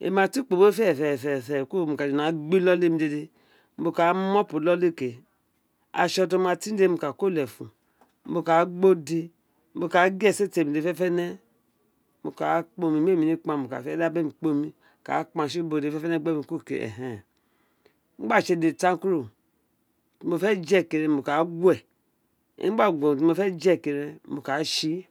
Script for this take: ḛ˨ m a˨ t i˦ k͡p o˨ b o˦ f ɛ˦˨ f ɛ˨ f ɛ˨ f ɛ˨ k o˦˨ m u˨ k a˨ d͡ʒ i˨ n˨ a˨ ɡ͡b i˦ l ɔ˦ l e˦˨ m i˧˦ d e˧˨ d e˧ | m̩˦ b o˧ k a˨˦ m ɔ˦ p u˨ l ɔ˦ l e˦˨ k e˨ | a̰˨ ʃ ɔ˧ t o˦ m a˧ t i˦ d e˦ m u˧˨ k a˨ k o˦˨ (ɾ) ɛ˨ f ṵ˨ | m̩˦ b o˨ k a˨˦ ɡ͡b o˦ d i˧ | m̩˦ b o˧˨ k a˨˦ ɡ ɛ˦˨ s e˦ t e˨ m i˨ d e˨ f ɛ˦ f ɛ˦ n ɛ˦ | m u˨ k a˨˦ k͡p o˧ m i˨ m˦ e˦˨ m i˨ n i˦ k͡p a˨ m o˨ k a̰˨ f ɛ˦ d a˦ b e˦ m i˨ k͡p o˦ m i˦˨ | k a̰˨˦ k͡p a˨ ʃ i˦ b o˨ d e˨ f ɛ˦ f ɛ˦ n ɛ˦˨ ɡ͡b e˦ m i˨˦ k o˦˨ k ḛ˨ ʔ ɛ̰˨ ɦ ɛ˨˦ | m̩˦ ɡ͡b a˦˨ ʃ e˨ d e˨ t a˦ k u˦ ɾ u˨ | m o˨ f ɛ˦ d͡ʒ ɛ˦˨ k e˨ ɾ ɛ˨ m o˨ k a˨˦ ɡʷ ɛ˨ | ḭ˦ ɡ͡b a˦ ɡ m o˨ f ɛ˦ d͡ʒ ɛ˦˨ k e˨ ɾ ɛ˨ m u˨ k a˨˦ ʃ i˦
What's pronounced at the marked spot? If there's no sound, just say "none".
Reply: l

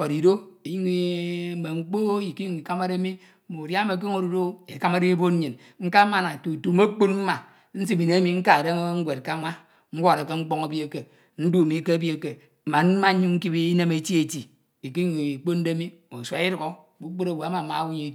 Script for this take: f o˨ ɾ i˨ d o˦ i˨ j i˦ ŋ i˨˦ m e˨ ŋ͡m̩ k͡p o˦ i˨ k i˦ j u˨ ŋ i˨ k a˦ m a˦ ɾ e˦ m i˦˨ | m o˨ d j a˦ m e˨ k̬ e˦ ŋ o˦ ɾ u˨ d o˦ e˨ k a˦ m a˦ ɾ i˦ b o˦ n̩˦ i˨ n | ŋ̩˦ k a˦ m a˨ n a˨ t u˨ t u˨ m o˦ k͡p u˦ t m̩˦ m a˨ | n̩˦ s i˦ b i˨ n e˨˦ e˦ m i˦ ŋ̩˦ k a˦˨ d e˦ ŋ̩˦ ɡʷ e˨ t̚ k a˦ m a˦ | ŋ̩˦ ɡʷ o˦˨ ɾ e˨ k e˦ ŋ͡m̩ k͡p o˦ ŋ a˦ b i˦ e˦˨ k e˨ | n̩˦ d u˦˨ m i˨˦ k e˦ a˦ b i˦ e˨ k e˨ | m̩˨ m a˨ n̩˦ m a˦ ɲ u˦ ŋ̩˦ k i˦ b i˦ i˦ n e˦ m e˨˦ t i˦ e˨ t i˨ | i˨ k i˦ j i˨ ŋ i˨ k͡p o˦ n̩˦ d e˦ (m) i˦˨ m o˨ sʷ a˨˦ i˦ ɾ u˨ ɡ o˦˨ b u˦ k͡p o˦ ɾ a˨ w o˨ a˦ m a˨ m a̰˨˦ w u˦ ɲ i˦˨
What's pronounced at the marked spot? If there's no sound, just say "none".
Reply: m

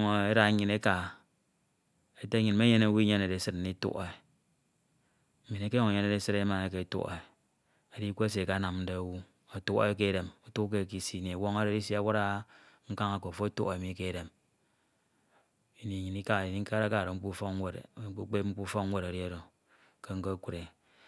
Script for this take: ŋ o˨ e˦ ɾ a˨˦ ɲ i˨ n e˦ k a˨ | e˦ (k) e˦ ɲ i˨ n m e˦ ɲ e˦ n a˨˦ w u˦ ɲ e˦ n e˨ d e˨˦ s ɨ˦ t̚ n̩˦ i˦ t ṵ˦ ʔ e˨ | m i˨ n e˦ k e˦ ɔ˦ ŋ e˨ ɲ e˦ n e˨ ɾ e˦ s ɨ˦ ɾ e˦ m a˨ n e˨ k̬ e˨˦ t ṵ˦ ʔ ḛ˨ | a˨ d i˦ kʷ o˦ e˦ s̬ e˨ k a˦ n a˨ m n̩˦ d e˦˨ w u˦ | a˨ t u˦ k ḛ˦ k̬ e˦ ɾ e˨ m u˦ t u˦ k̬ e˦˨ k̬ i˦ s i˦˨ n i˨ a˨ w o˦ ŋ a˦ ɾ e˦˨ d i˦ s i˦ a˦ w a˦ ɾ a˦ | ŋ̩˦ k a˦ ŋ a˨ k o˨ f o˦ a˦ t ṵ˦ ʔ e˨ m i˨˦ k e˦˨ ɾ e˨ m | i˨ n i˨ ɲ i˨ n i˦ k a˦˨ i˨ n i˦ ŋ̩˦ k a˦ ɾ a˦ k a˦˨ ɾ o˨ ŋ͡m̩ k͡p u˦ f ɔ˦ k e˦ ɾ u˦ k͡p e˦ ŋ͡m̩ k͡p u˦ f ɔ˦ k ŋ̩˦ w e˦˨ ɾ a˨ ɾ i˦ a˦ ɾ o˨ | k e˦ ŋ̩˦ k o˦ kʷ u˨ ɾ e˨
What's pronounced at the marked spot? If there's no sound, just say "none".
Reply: t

